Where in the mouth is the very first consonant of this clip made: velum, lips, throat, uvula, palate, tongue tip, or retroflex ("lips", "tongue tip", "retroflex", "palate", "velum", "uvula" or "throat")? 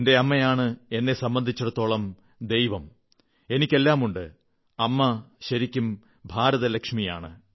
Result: tongue tip